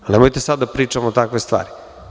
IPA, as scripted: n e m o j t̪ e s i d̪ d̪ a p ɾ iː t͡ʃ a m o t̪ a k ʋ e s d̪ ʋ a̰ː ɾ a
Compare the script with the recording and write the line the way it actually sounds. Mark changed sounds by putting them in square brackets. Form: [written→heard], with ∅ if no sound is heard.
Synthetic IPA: n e m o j t̪ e s [i→a] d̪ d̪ a p ɾ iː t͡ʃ a m o t̪ a k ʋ e s [d̪→t̪] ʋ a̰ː ɾ [a→i]